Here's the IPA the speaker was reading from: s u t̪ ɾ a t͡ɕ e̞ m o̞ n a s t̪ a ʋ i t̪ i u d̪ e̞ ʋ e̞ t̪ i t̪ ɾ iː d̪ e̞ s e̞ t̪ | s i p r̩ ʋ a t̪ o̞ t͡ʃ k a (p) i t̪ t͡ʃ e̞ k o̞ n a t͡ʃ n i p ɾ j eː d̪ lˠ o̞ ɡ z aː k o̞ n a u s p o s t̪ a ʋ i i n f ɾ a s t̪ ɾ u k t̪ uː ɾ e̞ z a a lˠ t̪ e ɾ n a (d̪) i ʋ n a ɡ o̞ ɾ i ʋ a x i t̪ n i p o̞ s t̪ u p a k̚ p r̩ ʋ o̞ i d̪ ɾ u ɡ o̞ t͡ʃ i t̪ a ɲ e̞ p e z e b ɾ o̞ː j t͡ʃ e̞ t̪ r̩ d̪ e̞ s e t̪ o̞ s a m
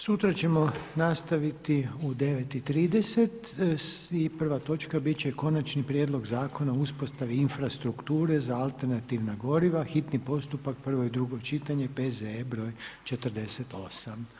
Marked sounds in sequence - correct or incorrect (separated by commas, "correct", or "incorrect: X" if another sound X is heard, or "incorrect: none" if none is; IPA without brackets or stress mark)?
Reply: incorrect: b, incorrect: t̪